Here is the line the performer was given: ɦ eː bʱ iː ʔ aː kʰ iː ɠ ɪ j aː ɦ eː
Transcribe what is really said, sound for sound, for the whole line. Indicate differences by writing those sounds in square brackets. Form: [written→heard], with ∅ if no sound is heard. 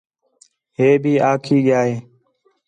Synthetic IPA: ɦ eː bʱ iː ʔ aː kʰ iː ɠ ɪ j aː ɦ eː